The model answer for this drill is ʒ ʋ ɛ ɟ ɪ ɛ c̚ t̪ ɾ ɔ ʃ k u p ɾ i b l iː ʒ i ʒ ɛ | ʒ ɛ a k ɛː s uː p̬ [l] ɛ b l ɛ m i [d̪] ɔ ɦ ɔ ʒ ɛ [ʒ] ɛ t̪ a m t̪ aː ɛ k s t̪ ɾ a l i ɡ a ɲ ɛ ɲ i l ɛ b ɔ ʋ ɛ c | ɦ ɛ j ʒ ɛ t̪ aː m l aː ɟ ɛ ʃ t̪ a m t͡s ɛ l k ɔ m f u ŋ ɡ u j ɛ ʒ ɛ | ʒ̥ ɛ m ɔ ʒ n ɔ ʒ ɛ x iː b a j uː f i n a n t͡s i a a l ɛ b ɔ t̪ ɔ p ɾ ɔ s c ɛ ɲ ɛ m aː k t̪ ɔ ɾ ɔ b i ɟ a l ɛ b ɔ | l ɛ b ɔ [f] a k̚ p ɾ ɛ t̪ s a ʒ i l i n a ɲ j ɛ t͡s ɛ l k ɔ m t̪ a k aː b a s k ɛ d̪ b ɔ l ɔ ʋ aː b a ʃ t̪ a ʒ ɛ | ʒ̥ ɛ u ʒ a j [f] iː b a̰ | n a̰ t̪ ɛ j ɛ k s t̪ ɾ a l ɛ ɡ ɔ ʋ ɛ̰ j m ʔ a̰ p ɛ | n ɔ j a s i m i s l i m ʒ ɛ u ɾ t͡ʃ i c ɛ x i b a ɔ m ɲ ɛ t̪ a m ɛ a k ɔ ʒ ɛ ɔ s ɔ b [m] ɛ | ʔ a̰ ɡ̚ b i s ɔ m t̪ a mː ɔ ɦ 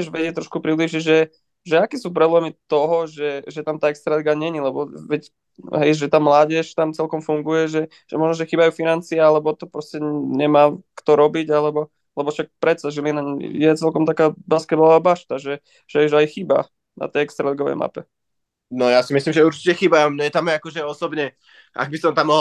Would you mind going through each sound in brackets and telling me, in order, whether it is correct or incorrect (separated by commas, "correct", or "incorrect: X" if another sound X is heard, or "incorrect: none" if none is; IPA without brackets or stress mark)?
incorrect: ɾ, incorrect: t̪, correct, incorrect: ʃ, incorrect: x, incorrect: ɲ